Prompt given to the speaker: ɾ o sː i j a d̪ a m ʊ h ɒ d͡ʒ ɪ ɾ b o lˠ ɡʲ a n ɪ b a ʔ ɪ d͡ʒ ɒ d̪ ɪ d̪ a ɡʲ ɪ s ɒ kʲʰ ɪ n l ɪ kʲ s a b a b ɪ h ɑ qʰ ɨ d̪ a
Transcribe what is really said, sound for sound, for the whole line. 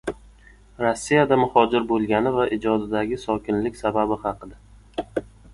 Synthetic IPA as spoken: ɾ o sː i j a d̪ a m ʊ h ɒ d͡ʒ ɪ ɾ b o lˠ ɡʲ a n ɪ v a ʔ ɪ d͡ʒ ɒ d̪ ɪ d̪ a ɡʲ ɪ s ɒ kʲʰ ɪ n l ɪ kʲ s a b a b ɪ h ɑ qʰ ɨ d̪ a